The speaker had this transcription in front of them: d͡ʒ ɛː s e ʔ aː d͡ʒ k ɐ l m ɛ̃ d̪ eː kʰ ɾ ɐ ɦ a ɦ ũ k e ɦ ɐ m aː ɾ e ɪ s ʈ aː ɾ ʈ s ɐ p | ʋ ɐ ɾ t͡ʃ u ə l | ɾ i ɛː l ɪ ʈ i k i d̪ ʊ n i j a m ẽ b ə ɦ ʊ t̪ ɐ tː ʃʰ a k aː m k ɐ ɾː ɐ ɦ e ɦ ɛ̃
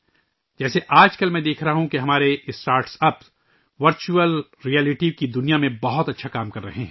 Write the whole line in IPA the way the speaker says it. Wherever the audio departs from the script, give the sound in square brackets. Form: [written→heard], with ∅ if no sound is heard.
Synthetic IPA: d͡ʒ ɛː s e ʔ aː d͡ʒ k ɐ l m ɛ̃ d̪ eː kʰ ɾ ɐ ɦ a ɦ ũ k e ɦ ɐ m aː ɾ e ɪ s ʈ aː ɾ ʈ s ɐ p | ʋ ɐ ɾ t͡ʃ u ə l | ɾ i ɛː l ɪ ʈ i k i d̪ ʊ n i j a m ẽ b [ə→ɐ] ɦ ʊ t̪ ɐ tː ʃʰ a k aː m k ɐ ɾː ɐ ɦ e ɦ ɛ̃